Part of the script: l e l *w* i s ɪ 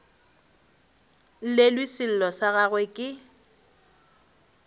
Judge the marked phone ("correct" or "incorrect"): correct